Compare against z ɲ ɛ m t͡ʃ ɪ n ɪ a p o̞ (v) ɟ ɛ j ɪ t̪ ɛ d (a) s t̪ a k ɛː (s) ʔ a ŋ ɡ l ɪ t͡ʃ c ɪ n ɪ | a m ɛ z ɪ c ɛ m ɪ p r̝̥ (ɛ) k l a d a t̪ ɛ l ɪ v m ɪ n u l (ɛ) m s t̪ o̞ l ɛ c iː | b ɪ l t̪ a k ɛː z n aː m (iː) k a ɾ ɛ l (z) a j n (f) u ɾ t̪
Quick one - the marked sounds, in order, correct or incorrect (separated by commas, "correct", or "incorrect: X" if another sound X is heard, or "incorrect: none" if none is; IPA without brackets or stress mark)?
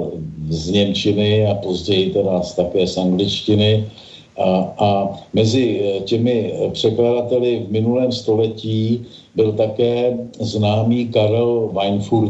incorrect: z, correct, correct, correct, incorrect: ɛː, correct, incorrect: v, correct